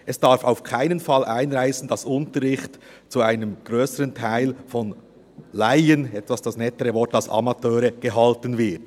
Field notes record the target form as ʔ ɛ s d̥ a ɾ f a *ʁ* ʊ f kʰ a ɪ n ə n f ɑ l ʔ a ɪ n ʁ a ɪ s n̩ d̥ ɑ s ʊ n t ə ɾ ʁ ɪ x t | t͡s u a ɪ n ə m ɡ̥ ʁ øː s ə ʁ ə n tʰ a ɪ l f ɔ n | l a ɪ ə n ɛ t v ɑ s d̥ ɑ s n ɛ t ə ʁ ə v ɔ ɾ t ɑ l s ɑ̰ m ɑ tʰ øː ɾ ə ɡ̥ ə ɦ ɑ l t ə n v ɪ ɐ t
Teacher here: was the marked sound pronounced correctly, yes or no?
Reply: no